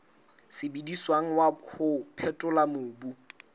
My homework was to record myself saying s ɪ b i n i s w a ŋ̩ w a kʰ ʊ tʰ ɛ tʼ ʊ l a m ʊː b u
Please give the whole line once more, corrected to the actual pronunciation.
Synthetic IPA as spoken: s ɪ b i d i s w a ŋ̩ w a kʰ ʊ pʰ ɛ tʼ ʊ l a m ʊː b u